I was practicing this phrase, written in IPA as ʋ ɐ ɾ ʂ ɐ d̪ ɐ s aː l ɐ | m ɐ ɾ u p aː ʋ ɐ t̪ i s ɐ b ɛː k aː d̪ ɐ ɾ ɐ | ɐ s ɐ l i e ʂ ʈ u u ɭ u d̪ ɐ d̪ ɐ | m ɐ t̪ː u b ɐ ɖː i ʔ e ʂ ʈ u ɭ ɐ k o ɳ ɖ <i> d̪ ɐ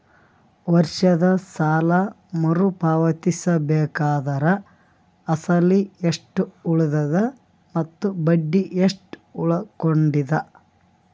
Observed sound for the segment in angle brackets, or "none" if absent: i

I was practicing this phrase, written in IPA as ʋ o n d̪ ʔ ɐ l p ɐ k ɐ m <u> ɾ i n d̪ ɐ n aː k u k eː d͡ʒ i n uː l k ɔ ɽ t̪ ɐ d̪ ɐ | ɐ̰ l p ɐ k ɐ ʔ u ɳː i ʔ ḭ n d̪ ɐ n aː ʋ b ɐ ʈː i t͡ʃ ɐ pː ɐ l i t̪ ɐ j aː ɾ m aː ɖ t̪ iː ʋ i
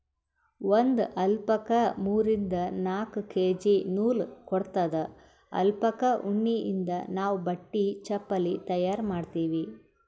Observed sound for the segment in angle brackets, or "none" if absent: uː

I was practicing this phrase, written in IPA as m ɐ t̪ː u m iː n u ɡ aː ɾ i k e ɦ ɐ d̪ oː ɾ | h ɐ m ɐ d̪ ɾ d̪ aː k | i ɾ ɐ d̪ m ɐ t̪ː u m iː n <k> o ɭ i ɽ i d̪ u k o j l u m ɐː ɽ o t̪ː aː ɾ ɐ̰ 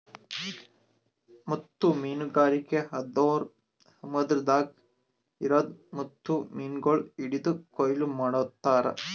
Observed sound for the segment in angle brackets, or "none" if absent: ɡ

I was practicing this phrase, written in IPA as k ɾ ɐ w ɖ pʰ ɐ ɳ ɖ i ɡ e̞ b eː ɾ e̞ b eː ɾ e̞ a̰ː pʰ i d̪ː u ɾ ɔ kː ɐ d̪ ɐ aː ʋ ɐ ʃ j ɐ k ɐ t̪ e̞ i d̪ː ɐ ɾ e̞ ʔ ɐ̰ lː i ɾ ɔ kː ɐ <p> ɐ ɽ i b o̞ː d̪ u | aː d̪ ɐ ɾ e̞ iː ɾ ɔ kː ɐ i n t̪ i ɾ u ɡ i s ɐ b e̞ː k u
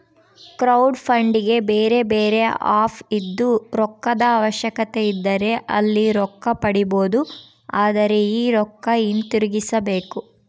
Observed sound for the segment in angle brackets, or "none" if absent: p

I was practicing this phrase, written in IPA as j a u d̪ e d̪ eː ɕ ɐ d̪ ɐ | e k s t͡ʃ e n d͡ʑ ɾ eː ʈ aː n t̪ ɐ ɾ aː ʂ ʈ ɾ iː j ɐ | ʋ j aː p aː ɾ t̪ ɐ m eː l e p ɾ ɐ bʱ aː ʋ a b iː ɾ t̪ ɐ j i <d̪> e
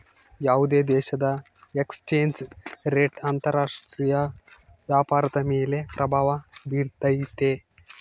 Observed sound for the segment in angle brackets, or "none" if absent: t̪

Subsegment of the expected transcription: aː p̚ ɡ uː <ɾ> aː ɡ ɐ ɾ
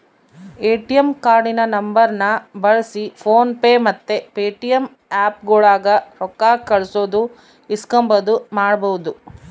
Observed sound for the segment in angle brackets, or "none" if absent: ɭ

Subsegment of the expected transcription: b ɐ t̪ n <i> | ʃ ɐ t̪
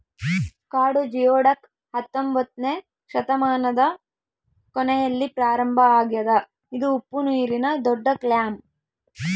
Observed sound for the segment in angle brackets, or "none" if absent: e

